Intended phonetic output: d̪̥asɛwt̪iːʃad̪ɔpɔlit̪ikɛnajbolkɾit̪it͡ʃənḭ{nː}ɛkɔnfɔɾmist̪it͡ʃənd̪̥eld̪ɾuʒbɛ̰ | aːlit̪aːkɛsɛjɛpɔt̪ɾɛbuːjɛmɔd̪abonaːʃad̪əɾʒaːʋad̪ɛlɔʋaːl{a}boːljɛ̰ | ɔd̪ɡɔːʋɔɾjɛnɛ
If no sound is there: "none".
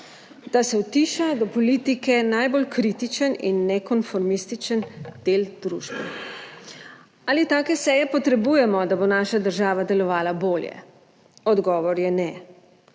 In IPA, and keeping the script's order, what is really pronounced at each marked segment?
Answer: nː, a

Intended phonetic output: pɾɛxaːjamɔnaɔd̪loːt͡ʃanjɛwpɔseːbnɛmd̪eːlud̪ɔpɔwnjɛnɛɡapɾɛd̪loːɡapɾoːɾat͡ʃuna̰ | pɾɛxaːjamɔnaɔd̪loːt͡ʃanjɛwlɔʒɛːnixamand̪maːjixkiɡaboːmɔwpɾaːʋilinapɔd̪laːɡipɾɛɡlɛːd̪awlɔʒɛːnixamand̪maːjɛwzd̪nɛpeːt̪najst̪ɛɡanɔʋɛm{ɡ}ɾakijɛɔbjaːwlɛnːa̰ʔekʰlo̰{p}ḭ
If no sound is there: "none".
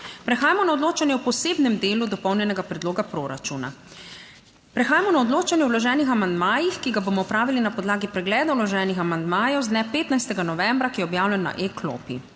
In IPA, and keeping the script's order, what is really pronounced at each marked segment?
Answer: b, p

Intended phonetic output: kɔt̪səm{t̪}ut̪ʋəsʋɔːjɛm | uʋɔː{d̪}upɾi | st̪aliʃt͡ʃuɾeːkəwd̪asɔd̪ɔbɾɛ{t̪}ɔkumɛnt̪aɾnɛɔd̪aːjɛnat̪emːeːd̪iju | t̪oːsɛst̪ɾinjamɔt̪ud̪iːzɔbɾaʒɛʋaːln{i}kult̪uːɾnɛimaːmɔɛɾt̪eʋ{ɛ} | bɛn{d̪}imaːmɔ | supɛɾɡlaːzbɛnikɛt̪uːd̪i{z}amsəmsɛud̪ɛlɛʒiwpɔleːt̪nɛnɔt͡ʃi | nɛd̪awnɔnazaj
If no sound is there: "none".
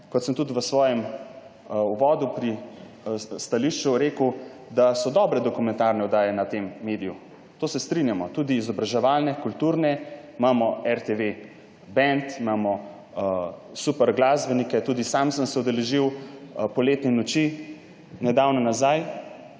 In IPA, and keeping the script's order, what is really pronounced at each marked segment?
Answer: t̪, d̪, d̪, ɛ, e, t̪, s

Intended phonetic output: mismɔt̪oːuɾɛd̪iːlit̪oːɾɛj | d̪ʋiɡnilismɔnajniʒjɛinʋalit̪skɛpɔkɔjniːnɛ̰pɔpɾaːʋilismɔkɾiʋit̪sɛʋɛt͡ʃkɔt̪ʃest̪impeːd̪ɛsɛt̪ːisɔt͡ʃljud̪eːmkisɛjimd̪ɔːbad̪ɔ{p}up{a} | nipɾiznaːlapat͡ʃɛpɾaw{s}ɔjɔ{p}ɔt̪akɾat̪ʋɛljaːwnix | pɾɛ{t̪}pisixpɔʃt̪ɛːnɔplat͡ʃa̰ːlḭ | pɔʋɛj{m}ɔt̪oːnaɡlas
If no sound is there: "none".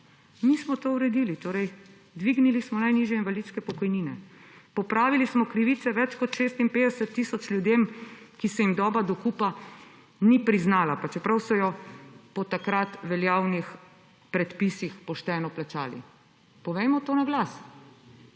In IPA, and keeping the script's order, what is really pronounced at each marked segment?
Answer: k, a, s, p, t̪, m

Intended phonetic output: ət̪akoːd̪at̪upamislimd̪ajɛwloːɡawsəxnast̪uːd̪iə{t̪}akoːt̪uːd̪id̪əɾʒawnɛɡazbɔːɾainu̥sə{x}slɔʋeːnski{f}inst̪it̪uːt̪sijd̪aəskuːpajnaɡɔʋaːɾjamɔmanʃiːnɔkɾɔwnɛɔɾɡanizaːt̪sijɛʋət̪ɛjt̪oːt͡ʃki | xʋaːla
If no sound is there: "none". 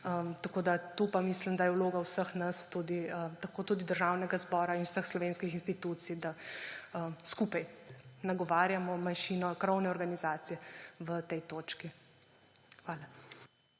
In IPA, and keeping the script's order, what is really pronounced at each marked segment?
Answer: t̪, x, x

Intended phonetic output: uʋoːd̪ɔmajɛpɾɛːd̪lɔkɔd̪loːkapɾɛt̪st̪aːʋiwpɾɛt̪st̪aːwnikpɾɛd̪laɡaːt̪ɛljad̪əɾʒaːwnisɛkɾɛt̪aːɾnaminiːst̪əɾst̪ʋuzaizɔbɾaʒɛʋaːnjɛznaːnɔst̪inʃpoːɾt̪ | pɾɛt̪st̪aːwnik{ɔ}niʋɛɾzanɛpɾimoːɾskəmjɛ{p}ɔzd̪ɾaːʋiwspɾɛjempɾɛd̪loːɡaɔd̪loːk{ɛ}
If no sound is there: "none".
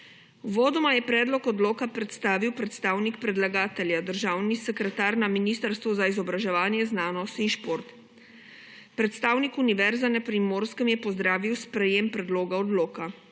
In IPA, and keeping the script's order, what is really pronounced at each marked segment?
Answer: u, p, a

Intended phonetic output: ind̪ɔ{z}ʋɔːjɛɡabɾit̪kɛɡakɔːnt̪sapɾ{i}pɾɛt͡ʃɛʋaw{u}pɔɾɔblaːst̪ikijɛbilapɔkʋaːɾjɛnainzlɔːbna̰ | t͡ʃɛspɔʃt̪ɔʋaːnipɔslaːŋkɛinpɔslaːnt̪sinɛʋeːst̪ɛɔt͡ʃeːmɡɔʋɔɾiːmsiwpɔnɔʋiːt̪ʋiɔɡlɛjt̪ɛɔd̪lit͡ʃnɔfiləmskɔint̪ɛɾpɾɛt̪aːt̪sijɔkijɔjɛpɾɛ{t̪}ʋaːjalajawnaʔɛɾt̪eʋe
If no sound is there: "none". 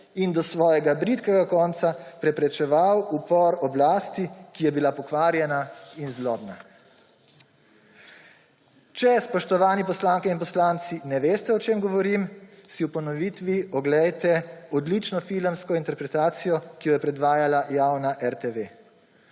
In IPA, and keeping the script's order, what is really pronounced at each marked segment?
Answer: s, ɛ, u, d̪

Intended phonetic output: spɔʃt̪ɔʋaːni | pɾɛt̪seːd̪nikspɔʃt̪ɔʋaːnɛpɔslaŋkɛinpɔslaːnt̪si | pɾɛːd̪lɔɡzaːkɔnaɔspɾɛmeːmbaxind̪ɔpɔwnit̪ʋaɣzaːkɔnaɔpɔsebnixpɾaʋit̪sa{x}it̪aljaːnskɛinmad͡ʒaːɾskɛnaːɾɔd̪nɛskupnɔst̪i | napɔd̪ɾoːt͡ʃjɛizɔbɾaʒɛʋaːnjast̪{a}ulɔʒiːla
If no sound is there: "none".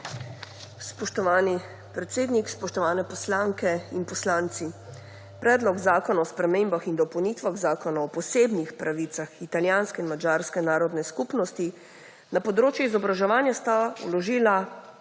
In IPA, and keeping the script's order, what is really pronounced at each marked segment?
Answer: x, a

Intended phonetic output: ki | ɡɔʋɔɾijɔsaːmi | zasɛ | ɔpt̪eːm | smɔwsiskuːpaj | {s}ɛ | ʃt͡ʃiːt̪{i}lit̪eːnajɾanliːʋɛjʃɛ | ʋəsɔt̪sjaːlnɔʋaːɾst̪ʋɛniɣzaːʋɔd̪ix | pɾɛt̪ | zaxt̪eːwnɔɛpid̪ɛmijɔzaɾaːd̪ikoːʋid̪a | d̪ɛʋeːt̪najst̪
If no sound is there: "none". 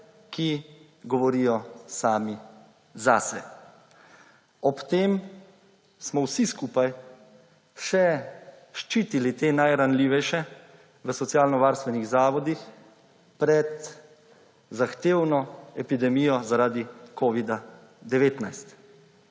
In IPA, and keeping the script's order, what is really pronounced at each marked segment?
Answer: ʃ, i

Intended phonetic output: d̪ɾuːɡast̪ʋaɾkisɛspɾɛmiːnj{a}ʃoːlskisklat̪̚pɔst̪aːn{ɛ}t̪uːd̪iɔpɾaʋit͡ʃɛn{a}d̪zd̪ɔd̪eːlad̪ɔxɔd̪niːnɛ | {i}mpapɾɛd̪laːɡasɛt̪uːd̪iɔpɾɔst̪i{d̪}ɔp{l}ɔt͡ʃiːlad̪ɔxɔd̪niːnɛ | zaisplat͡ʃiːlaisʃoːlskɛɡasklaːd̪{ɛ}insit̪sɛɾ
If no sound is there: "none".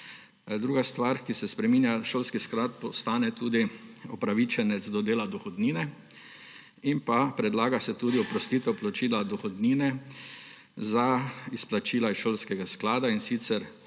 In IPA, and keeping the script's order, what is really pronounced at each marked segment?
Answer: a, ɛ, ɛ, i, t̪, l, a

